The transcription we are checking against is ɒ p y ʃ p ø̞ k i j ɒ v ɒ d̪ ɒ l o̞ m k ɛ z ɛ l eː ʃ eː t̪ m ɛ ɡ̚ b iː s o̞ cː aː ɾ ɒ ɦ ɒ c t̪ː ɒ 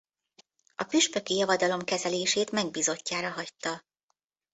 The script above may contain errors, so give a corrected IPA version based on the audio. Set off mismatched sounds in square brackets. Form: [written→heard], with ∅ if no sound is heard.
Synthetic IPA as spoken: ɒ p y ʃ p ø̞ k i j ɒ v ɒ d̪ ɒ l o̞ m k ɛ z ɛ l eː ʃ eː t̪ m ɛ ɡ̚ b iː [s→z] o̞ cː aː ɾ ɒ ɦ ɒ c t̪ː ɒ